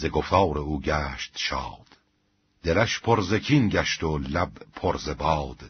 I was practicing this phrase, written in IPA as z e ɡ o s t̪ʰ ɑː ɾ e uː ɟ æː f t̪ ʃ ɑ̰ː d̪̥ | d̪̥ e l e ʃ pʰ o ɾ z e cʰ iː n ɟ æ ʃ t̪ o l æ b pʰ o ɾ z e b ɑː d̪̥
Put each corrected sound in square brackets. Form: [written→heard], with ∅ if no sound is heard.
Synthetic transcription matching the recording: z e ɡ o [s→f] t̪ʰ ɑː ɾ e uː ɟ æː [f→ʃ] t̪ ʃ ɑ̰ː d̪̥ | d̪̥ e l [e→æ] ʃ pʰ o ɾ z e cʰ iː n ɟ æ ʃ t̪ o l æ b pʰ o ɾ z e b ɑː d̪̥